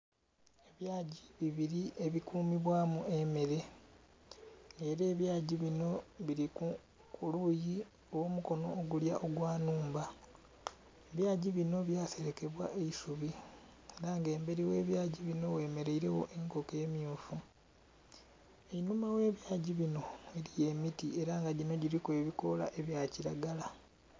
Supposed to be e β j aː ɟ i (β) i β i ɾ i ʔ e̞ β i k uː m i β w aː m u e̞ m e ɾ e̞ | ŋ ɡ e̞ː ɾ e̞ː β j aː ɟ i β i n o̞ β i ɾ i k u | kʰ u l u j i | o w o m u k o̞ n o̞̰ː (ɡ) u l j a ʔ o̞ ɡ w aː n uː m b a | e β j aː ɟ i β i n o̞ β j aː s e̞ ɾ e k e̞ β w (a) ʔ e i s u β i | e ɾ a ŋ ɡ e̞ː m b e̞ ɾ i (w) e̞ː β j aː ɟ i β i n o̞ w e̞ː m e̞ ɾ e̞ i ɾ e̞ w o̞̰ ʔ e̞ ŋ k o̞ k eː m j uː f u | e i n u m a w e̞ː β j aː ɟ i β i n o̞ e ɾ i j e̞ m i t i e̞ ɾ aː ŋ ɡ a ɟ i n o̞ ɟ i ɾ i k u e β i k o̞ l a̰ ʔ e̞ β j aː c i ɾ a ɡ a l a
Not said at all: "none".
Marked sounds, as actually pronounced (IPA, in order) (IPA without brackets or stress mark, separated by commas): β, ɡ, a, w